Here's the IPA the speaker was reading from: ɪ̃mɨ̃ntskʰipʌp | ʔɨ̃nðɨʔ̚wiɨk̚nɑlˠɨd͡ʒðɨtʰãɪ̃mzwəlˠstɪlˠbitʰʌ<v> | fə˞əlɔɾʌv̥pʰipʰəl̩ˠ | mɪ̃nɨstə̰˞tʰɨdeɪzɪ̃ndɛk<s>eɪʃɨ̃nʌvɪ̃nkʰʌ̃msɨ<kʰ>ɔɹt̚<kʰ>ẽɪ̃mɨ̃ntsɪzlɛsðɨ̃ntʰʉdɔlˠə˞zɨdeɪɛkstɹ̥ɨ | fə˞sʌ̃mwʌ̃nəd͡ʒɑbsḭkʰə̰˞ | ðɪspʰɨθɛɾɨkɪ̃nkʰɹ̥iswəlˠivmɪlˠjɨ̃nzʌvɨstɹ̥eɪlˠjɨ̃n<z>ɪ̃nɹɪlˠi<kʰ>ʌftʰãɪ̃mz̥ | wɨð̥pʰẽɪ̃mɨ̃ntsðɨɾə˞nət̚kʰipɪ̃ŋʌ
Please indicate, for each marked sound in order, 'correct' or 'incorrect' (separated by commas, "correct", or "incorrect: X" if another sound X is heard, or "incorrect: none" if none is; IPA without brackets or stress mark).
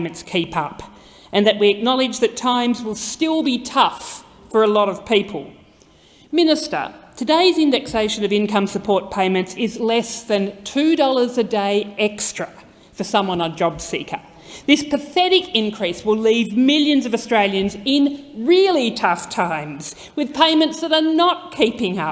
incorrect: f, correct, incorrect: pʰ, incorrect: pʰ, correct, incorrect: tʰ